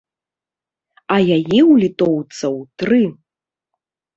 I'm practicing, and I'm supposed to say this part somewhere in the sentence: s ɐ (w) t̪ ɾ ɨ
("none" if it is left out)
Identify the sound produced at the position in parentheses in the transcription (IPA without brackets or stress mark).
w